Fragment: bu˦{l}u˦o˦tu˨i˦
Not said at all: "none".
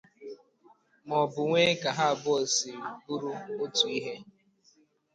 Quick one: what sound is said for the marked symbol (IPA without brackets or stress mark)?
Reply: ɾ